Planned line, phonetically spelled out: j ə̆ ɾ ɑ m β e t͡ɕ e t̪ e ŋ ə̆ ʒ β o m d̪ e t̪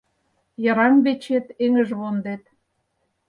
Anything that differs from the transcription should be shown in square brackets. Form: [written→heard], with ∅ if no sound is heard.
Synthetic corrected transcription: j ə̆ ɾ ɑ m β e t͡ɕ e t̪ e ŋ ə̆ ʒ β o [m→n] d̪ e t̪